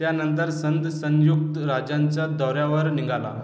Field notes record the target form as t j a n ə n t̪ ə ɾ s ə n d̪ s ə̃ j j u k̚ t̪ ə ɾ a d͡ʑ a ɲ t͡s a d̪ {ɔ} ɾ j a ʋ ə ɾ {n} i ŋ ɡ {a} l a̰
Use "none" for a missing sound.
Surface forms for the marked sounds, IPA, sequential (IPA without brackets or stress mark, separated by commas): ɔ, n, a